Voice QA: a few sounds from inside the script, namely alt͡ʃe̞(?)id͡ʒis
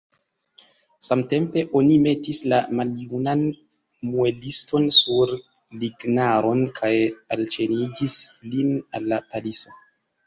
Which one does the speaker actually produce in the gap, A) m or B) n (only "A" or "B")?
B